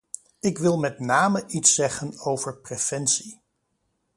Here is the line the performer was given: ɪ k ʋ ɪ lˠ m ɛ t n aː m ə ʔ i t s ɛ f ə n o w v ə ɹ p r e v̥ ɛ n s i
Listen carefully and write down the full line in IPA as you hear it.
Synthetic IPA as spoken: ɪ k ʋ ɪ lˠ m ɛ t n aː m ə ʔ i t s ɛ χ ə n o w v ə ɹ p r e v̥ ɛ n s i